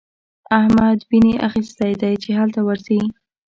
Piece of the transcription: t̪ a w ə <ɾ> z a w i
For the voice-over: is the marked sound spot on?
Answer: yes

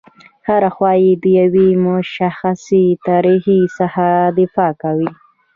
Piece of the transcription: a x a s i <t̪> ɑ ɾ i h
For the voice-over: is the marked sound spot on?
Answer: yes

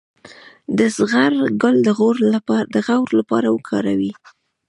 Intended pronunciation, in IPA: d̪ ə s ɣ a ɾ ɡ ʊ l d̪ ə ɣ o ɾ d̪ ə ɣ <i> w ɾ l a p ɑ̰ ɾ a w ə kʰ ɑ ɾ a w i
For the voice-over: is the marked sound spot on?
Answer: no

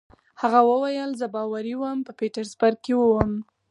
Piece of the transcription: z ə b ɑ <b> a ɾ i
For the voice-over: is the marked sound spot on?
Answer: no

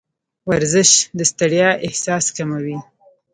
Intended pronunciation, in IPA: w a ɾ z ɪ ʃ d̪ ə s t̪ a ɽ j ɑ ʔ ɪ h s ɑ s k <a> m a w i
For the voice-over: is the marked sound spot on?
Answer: yes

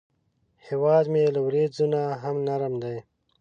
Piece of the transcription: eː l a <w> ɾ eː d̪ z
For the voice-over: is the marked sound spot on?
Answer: yes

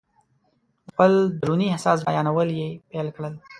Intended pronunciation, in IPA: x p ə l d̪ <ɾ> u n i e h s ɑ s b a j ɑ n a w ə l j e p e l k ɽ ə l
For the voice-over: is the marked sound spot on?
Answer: yes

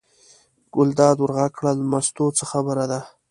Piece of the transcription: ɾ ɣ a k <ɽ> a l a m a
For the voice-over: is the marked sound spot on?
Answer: yes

